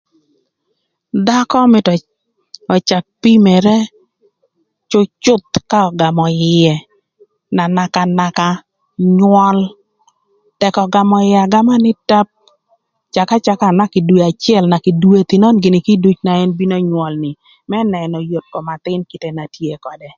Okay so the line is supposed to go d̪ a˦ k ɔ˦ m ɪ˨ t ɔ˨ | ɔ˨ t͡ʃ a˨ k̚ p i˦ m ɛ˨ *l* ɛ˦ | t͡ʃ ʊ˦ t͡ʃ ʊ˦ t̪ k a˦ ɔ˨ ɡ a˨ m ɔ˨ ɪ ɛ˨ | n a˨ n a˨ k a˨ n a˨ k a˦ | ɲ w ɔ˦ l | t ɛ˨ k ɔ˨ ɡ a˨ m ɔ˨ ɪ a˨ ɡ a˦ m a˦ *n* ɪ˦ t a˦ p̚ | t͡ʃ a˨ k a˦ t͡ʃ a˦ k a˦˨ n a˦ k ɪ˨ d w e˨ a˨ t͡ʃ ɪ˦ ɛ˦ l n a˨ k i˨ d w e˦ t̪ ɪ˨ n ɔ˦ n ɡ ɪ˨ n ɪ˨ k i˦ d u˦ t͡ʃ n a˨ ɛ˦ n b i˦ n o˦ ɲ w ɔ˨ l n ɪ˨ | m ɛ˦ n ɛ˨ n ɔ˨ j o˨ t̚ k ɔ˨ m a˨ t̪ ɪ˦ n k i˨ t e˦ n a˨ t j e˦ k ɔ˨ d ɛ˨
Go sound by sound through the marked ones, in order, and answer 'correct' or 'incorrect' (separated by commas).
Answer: incorrect, correct